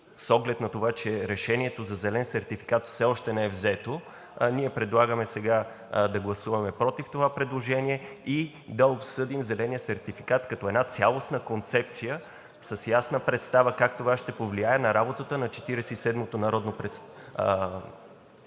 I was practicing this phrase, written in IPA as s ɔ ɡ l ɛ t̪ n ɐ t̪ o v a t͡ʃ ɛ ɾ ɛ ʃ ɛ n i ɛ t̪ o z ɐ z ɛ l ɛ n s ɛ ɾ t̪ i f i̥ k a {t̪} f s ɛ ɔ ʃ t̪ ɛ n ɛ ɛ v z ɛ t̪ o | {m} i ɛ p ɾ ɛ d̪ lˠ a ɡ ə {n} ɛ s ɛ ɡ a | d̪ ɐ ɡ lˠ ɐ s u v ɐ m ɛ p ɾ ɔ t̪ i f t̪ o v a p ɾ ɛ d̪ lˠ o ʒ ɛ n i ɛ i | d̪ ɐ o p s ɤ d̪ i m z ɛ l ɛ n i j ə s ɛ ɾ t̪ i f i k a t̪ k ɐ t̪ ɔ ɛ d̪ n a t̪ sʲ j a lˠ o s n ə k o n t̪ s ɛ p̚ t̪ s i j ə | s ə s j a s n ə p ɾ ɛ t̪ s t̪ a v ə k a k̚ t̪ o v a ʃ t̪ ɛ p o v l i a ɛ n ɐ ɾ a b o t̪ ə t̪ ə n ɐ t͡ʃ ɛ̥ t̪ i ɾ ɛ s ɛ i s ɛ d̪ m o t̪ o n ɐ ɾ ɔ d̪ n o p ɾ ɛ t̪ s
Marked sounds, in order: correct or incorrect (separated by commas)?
correct, incorrect, incorrect